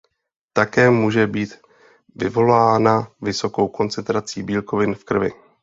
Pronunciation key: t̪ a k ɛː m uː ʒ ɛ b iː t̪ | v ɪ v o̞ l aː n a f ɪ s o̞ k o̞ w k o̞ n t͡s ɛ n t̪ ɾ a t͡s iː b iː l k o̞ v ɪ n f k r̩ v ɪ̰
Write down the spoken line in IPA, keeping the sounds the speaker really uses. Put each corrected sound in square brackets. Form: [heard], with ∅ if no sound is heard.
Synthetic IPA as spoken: t̪ a k ɛː m uː ʒ ɛ b iː t̪ | v ɪ v o̞ l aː n a [v] ɪ s o̞ k o̞ w k o̞ n t͡s ɛ n t̪ ɾ a t͡s iː b iː l k o̞ v ɪ n f k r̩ v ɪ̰